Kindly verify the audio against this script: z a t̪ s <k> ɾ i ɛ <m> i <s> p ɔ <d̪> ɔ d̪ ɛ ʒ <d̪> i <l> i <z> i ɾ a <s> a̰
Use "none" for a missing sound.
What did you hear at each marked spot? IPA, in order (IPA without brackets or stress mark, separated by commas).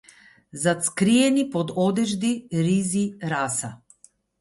k, n, none, d̪, d̪, ɾ, z, s